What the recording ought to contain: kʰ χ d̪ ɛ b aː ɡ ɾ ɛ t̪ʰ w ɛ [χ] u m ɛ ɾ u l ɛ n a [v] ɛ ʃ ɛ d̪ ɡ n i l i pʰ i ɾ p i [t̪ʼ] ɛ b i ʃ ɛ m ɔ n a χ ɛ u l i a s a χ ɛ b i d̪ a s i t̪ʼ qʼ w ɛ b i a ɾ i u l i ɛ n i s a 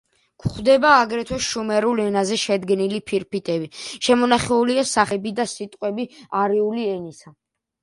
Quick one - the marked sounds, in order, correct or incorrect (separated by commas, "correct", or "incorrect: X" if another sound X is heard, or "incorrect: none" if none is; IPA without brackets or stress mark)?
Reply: incorrect: ʃ, incorrect: z, correct